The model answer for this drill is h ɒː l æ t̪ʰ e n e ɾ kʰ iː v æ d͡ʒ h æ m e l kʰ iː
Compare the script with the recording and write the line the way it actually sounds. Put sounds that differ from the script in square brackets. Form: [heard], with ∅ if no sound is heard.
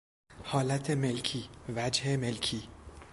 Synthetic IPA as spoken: h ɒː l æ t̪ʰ e [m] e [l] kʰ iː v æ d͡ʒ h [e] m e l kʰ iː